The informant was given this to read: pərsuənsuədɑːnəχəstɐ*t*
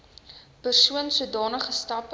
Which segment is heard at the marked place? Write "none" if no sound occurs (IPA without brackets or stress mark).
p